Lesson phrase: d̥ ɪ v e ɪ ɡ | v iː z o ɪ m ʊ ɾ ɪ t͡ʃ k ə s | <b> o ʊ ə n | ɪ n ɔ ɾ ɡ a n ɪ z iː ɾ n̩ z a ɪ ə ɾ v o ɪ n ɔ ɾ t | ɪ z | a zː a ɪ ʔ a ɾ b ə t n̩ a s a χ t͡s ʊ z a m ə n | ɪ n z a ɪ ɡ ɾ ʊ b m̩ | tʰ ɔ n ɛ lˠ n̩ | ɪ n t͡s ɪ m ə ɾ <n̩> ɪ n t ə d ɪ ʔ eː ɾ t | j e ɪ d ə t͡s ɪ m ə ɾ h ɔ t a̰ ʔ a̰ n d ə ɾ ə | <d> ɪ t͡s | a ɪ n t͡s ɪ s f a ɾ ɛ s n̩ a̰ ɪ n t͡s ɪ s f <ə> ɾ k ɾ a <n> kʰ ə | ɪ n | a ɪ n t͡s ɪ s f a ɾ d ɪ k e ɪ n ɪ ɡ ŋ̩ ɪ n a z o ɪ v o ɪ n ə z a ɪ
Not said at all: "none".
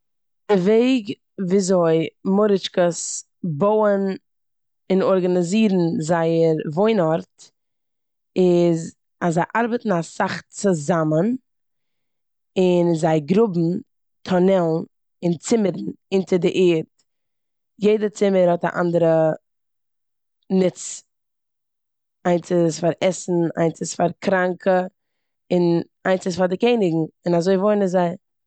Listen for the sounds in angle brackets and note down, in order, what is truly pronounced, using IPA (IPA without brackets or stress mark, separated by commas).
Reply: b, n̩, n, a, ŋ